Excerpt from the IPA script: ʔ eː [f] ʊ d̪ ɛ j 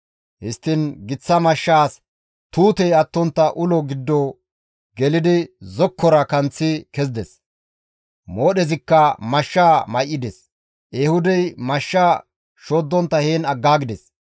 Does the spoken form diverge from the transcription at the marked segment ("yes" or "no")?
yes